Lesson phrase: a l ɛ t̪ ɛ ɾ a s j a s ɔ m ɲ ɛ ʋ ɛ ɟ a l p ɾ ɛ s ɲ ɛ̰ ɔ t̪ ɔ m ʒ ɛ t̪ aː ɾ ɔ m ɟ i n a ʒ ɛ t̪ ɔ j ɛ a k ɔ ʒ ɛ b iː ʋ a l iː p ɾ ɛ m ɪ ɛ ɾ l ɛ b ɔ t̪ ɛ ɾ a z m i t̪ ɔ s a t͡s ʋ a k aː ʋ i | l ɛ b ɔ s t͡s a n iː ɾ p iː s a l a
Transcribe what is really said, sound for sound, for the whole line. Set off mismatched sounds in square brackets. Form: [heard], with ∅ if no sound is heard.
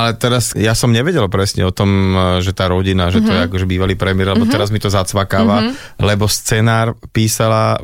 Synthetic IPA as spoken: a l ɛ t̪ ɛ ɾ a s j a s ɔ m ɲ ɛ ʋ ɛ ɟ [ɛ] l p ɾ ɛ s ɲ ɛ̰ ɔ t̪ ɔ m ʒ ɛ t̪ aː ɾ ɔ [∅] ɟ i n a ʒ ɛ t̪ ɔ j ɛ a k ɔ ʒ ɛ b iː ʋ a l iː p ɾ ɛ m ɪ ɛ ɾ l ɛ b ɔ t̪ ɛ ɾ a z m i t̪ ɔ [z] a t͡s ʋ a k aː ʋ [a] | l ɛ b ɔ s t͡s [ɛ] n [aː] ɾ p iː s a l a